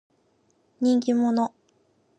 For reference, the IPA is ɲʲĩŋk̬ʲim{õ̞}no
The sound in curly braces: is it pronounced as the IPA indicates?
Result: no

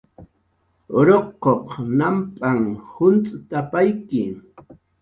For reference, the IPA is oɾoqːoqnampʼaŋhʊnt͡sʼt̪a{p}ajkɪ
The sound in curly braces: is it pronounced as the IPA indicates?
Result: yes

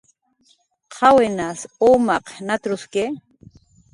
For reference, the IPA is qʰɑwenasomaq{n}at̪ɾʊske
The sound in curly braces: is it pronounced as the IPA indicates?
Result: yes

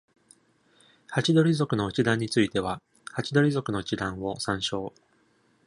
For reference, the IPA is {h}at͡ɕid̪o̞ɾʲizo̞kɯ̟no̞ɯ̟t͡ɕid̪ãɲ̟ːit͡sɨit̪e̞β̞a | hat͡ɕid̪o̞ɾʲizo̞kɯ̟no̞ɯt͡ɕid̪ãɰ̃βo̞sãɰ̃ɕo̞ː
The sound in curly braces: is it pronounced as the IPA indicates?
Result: yes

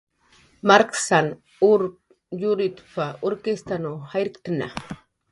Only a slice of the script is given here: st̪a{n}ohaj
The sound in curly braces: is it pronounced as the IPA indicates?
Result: yes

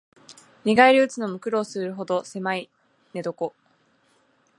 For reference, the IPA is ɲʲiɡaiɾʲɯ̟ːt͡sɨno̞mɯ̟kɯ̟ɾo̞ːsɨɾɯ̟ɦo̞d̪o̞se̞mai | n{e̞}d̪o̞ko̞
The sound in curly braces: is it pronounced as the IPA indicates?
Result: yes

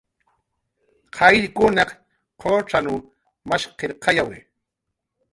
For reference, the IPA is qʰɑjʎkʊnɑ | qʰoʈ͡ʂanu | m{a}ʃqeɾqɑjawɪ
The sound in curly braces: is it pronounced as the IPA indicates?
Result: yes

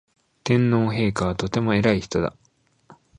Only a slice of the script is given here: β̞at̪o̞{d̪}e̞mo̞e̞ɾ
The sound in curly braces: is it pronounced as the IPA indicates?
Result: no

